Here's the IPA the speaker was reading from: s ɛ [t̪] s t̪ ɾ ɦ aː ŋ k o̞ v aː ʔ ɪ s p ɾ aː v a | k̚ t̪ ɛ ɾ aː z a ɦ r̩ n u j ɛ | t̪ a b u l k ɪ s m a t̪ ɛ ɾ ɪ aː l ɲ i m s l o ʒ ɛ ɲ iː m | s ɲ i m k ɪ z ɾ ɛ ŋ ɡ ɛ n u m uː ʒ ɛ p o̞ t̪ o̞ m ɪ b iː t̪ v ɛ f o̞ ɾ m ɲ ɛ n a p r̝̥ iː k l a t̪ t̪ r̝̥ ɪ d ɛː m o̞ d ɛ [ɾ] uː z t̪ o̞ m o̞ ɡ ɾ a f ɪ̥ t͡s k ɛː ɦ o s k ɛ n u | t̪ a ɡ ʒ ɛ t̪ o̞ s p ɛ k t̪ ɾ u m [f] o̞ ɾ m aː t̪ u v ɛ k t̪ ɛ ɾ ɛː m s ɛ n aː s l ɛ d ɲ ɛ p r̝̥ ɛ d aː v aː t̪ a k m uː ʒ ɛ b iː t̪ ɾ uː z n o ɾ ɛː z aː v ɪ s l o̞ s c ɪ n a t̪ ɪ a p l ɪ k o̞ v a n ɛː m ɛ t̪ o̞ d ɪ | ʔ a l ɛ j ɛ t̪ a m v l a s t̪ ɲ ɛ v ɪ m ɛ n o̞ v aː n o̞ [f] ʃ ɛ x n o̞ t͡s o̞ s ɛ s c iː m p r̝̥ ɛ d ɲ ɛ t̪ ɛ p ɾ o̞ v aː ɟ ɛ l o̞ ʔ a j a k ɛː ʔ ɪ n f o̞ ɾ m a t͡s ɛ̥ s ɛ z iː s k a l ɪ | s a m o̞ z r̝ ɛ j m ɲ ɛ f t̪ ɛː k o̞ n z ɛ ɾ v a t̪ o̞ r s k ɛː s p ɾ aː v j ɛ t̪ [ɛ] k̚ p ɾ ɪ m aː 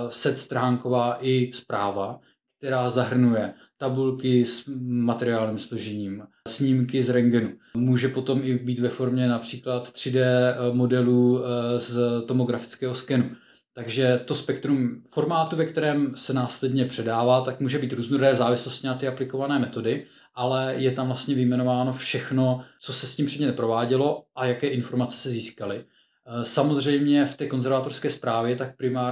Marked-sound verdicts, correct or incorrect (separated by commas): correct, incorrect, correct, correct, incorrect